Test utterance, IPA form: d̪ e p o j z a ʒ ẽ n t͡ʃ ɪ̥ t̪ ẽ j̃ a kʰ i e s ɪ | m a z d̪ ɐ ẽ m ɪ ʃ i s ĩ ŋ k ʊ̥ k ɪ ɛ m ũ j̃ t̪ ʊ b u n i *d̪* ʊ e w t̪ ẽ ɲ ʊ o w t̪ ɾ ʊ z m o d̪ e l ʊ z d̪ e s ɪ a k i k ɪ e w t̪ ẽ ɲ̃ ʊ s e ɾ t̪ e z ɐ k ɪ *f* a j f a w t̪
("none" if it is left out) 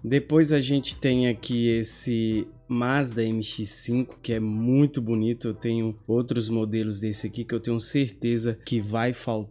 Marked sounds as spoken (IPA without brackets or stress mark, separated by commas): t̪, v